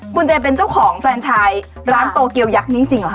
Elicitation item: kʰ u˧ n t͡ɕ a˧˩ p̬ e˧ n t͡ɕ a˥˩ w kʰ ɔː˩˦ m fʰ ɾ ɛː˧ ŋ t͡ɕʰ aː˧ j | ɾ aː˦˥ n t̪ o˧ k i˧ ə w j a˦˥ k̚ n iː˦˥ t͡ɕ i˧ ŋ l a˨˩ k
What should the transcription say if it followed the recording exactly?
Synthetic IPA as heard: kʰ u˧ n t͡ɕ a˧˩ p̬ e˧ n t͡ɕ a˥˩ w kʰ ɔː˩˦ ŋ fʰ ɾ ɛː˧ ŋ t͡ɕʰ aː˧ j | ɾ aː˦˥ n t̪ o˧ k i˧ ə w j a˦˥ k̚ n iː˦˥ t͡ɕ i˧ ŋ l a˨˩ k

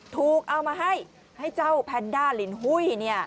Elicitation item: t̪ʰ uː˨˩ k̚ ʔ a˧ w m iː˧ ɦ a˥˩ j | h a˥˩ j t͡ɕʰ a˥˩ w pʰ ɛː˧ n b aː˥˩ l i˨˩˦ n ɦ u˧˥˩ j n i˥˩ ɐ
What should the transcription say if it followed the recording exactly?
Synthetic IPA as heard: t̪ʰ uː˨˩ k̚ ʔ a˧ w m aː˧ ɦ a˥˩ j | h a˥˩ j t͡ɕ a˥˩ w pʰ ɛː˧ n d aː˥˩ l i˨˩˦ n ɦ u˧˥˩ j n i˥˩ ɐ

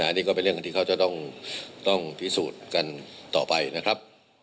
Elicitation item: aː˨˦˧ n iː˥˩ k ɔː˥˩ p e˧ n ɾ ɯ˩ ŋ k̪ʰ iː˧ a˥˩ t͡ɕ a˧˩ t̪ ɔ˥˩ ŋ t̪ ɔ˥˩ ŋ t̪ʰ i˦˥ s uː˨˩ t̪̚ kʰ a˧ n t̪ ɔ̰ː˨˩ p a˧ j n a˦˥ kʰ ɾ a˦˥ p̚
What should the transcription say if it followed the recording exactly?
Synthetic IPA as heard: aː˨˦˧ n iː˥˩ k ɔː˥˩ p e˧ n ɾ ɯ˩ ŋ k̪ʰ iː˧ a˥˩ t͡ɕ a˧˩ t̪ ɔ˥˩ ŋ t̪ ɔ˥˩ ŋ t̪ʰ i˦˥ s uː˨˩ t̪̚ k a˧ n t̪ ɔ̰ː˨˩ p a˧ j n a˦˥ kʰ ɾ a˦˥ p̚

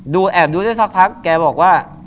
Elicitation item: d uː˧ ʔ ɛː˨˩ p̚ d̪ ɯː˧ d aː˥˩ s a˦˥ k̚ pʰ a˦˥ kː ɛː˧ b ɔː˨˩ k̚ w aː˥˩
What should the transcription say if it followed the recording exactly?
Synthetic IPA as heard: d uː˧ ʔ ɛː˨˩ p̚ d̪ uː˧ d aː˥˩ s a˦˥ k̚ pʰ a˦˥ kː ɛː˧ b ɔː˨˩ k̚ w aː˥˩

